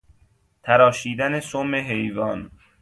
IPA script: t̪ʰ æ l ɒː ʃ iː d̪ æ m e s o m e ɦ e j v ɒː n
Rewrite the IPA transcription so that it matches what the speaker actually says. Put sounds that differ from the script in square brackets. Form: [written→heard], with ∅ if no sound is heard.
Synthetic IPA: t̪ʰ æ [l→ɾ] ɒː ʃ iː d̪ æ [m→n] e s o m e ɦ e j v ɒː n